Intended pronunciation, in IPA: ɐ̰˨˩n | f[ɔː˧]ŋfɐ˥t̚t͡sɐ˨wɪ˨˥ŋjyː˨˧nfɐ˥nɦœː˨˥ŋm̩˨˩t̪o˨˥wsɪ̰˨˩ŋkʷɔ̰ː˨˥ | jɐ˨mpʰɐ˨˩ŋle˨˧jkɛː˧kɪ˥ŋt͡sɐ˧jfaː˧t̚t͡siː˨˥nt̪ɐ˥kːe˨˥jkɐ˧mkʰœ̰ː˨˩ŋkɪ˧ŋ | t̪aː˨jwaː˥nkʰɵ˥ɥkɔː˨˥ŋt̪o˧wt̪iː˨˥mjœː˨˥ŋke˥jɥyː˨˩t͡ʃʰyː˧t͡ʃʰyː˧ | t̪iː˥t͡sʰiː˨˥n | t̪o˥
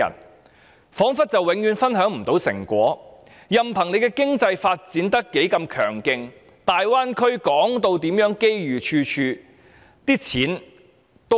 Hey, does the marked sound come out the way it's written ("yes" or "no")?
no